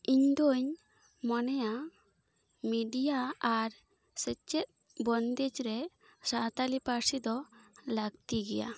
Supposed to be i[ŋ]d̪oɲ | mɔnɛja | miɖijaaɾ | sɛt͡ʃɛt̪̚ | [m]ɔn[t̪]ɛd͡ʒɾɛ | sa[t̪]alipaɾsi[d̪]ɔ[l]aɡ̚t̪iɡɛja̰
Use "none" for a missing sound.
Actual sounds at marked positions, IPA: ɲ, b, d̪, t̪, d̪, l

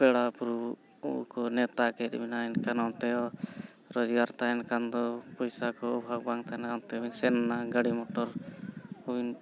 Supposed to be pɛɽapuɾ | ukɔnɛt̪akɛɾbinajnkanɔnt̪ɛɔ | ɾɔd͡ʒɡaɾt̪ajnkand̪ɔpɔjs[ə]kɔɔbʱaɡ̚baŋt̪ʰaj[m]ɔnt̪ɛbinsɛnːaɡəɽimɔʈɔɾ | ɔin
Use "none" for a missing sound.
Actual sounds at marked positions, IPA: a, n

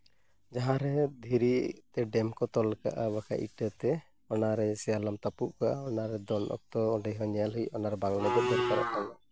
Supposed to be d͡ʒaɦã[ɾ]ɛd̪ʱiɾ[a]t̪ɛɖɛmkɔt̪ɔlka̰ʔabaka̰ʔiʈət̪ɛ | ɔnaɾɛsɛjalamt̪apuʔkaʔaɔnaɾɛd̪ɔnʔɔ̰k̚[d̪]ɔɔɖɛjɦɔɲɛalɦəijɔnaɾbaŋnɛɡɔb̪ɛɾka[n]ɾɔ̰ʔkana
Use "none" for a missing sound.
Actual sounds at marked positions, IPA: ɾ, i, t̪, none

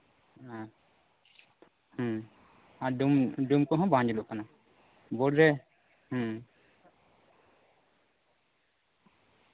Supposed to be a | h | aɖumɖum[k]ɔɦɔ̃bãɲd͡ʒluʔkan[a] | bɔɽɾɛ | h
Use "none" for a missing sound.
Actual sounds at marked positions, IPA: k, a

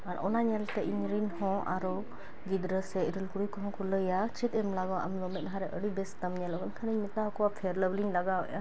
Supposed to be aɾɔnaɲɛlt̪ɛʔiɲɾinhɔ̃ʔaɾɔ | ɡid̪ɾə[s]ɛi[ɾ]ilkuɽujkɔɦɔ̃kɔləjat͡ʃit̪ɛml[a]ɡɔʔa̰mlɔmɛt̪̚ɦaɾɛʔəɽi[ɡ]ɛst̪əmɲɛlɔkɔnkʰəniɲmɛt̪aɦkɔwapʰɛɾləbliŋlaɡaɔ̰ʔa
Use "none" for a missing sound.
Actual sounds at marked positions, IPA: s, ɾ, a, b

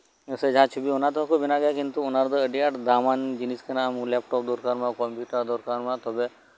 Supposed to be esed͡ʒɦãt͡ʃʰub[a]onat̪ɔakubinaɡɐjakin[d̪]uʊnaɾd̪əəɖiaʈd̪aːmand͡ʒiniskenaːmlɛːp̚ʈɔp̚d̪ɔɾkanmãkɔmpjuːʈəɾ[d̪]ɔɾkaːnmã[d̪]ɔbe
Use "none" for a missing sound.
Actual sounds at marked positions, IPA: i, t̪, d̪, t̪

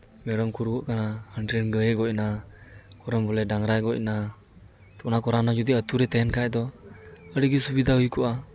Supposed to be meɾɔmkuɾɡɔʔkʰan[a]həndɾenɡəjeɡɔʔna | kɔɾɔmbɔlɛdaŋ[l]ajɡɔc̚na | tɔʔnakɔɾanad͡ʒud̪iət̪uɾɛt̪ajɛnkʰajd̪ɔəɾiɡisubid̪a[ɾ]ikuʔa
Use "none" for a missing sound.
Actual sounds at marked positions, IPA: a, ɾ, none

